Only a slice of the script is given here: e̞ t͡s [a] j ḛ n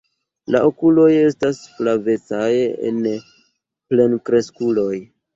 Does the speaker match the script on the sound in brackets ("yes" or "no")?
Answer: yes